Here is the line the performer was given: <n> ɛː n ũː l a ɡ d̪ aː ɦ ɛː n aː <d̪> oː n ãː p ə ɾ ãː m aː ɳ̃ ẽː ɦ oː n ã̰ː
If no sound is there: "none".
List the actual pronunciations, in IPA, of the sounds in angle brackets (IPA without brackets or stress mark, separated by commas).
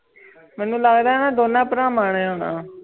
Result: m, d̪